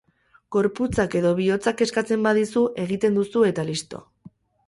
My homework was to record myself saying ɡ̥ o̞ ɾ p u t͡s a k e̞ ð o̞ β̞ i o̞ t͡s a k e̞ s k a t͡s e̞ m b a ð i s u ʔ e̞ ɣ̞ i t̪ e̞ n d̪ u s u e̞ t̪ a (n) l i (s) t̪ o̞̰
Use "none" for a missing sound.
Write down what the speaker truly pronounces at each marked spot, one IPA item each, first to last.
none, s

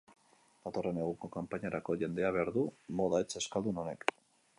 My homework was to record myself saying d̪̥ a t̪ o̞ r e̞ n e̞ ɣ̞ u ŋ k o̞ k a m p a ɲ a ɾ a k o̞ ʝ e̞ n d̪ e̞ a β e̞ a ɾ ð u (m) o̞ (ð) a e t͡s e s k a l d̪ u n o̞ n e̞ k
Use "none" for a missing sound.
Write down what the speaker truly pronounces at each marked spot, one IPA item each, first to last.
m, ð

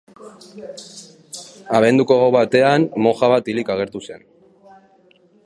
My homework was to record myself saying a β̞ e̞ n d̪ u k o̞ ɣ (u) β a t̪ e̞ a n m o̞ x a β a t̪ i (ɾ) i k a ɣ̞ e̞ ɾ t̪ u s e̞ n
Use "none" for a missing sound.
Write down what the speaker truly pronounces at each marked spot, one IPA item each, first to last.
o, l

